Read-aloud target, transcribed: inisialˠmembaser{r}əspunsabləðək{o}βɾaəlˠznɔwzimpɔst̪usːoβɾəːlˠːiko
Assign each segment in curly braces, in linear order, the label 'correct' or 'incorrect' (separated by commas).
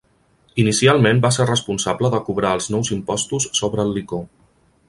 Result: correct, incorrect